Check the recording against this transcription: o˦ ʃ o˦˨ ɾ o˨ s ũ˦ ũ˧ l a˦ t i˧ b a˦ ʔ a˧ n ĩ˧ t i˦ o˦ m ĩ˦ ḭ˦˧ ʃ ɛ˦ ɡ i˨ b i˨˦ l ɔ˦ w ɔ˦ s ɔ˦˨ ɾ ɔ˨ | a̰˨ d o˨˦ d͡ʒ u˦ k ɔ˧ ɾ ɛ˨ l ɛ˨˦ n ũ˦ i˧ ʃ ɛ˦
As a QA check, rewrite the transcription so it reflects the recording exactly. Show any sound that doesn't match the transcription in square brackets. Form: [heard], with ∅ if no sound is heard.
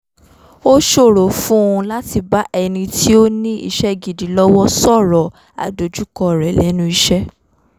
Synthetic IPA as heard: o˦ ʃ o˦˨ ɾ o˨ [f] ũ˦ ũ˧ l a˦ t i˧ b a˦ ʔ [ɛ˧] n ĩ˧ t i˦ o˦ [n] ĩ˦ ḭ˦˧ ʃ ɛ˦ ɡ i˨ [d] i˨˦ l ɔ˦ w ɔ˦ s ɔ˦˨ ɾ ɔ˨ | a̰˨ d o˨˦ d͡ʒ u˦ k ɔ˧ ɾ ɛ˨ l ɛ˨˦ n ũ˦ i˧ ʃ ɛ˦